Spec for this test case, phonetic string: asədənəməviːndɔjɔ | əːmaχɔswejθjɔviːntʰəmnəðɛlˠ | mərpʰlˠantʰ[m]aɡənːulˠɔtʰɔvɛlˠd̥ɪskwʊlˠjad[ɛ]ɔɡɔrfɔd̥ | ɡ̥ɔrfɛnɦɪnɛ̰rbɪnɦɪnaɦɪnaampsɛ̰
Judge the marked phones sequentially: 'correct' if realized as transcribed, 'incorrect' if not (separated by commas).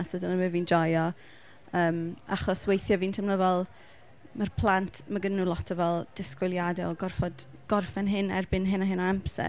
correct, correct